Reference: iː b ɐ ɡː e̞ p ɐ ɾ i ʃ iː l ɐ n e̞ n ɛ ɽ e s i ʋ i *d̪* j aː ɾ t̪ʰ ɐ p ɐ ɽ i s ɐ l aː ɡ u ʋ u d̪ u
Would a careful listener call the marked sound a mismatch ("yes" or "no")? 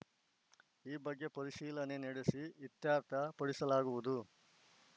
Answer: yes